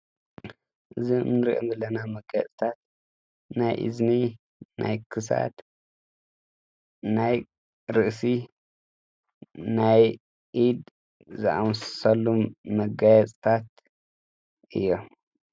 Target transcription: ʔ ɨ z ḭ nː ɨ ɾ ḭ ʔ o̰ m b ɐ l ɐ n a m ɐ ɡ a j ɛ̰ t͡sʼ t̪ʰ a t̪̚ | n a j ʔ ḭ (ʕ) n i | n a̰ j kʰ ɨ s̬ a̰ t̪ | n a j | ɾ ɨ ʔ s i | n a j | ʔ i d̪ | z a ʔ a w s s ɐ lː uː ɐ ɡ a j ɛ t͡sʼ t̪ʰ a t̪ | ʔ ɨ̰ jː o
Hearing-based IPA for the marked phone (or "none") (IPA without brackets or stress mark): z